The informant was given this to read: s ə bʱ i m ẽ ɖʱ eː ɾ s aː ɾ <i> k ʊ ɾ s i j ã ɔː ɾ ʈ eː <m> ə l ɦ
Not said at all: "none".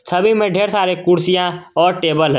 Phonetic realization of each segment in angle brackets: e, b

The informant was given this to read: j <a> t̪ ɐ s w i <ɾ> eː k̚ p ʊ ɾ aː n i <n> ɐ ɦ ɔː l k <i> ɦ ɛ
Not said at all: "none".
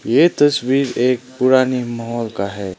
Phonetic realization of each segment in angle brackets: e, ɾ, m, a

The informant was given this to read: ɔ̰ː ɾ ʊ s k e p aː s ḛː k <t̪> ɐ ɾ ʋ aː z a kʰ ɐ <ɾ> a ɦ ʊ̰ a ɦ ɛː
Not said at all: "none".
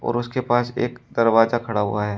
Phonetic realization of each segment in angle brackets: d̪, ɽ

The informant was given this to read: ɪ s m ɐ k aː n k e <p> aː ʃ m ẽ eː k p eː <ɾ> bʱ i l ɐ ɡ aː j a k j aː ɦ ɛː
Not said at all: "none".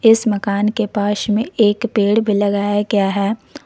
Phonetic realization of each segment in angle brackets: p, ɽ

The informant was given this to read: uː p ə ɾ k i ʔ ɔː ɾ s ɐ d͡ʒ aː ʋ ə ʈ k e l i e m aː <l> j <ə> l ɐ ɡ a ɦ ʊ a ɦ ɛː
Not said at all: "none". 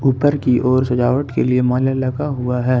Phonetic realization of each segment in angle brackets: l, a

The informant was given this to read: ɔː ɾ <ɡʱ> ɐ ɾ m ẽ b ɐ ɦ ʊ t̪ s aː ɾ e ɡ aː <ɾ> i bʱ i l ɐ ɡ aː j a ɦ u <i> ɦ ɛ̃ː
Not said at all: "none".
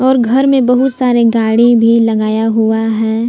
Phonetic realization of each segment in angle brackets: ɡʱ, ɽ, a

